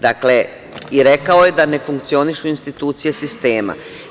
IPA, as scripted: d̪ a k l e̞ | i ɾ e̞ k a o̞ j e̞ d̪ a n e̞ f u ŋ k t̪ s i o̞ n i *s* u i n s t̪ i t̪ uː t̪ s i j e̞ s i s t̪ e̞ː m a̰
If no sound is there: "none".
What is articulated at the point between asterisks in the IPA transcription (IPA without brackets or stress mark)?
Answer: ʃ